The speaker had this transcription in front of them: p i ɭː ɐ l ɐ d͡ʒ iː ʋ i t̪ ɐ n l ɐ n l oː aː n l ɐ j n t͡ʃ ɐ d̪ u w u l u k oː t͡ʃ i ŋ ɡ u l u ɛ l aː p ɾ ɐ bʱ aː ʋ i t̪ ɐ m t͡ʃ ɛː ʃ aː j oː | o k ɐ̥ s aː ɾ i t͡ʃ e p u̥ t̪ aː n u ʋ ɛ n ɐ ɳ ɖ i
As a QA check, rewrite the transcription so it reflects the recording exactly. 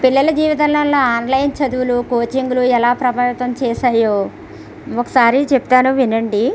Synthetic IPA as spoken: p i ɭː ɐ l ɐ d͡ʒ iː ʋ i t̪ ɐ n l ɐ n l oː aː n l ɐ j n t͡ʃ ɐ d̪ u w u l u k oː t͡ʃ i ŋ ɡ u l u ɛ l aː p ɾ ɐ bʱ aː ʋ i t̪ ɐ m t͡ʃ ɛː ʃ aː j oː | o k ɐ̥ s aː ɾ i t͡ʃ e p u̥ t̪ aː n u ʋ i n ɐ ɳ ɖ i